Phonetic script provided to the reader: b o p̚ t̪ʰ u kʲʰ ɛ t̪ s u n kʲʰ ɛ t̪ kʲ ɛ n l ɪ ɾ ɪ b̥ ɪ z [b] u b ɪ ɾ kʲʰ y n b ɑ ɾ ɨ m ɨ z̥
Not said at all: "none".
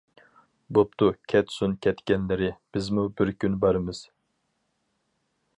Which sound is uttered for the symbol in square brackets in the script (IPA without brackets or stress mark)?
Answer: m